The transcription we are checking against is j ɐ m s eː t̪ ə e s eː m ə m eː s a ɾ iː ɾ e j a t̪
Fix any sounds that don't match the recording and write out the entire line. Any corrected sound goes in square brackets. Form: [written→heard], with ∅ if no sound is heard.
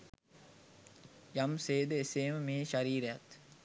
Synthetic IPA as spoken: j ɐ m s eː [t̪→d̪] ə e s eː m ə m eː [s→ʃ] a ɾ iː ɾ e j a t̪

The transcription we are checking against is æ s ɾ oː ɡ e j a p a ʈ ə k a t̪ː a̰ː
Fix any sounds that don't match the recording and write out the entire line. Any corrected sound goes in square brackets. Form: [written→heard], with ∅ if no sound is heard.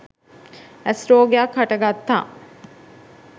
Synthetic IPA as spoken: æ s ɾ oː ɡ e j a [p→k] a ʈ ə [k→ɡ] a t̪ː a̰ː

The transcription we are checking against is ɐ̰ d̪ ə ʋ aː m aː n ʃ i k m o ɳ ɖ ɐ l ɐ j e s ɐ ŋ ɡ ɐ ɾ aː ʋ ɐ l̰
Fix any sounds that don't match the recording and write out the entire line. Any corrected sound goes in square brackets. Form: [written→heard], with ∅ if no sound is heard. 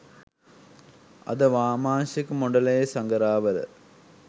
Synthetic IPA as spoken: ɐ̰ d̪ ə ʋ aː m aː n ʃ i k m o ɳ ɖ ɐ l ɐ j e s ɐ ŋ ɡ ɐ ɾ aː ʋ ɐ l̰

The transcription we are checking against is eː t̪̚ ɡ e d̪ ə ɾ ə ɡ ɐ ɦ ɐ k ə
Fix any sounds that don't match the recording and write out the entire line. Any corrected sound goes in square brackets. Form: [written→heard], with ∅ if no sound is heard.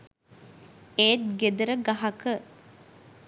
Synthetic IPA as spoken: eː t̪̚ ɡ e d̪ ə ɾ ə ɡ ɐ ɦ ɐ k ə

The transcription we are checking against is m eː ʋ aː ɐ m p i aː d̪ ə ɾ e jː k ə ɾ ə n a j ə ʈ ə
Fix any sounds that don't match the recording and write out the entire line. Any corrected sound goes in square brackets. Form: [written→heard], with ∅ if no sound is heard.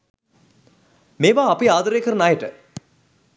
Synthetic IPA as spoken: m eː ʋ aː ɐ [m→∅] p i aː d̪ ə ɾ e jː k ə ɾ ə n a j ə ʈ ə

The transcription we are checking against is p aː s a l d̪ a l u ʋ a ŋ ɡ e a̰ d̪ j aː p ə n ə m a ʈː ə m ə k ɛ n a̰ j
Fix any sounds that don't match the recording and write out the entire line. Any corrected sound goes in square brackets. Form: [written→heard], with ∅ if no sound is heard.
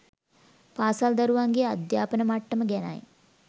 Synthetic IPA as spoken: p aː s a l d̪ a [l→ɾ] u ʋ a ŋ ɡ e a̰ d̪ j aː p ə n ə m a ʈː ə m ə [k→ɡ] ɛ n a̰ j

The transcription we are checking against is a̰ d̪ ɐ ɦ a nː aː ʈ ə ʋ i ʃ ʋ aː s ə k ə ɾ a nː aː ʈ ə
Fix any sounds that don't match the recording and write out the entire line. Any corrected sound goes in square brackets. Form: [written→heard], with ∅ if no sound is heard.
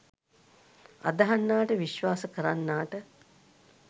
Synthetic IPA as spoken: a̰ d̪ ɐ ɦ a nː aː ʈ ə ʋ i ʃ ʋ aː s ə k ə ɾ a nː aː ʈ ə

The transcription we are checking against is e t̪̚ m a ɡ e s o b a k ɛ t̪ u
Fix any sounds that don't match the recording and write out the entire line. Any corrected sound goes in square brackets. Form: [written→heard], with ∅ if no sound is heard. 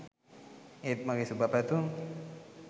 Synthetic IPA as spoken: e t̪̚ m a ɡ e s [o→u] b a [k→p] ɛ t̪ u

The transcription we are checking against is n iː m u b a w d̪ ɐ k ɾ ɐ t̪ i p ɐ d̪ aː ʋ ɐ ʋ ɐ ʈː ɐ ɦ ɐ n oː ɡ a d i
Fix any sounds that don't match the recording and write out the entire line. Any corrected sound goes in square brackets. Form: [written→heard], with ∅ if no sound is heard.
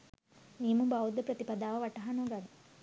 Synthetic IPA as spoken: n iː m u b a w d̪ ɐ [k→p] ɾ ɐ t̪ i p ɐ d̪ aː ʋ ɐ ʋ ɐ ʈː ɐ ɦ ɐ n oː ɡ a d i

